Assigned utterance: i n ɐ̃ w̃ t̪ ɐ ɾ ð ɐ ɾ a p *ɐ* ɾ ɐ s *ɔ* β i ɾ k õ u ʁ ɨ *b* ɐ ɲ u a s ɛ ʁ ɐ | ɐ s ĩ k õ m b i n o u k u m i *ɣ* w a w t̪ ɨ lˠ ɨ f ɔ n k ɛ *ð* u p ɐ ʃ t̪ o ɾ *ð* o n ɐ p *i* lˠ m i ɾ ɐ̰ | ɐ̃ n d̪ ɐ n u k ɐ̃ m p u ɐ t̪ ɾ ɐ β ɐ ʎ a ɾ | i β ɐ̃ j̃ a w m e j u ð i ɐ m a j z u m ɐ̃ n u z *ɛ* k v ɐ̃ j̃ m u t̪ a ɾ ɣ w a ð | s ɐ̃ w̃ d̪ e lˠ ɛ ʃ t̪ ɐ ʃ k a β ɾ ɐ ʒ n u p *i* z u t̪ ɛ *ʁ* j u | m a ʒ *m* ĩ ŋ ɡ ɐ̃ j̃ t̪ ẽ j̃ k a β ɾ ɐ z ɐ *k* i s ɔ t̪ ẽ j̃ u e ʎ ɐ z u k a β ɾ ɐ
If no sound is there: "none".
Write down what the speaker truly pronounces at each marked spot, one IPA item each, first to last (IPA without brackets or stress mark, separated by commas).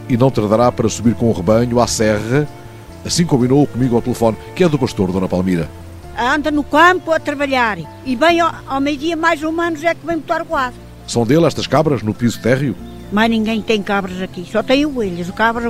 ɐ, u, β, ɣ, ð, ð, a, ɛ, i, ʁ, n, k